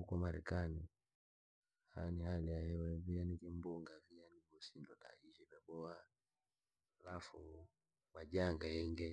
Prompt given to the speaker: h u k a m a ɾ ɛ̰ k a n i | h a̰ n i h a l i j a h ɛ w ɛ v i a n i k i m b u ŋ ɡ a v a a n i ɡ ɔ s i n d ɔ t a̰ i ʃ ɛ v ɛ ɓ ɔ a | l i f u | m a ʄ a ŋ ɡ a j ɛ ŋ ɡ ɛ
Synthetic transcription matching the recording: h u k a m a ɾ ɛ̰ k a n i | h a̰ n i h a l i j a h ɛ w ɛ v i a n i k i m b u ŋ ɡ a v i a n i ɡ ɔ s i n d ɔ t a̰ i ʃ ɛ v ɛ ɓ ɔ a | l a f u | m a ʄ a ŋ ɡ a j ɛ ŋ ɡ ɛ